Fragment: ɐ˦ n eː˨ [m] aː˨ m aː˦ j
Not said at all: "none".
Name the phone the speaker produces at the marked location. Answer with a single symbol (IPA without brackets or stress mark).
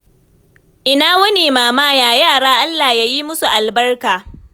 m